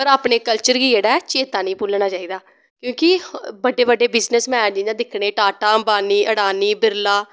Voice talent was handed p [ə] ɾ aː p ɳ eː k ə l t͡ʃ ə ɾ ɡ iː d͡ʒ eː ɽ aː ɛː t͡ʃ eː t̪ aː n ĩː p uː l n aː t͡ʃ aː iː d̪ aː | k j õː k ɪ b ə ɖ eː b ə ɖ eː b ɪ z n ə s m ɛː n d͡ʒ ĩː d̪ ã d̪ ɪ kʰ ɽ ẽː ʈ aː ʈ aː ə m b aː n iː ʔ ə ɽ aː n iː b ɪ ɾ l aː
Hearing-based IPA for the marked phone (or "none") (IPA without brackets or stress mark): ə